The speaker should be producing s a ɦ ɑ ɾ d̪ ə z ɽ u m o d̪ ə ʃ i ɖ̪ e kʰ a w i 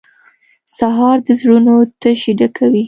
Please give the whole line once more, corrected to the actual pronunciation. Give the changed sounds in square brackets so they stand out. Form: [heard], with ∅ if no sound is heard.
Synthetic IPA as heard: s a ɦ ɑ ɾ d̪ ə z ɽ u [n] o [t̪] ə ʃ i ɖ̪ [a] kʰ a w i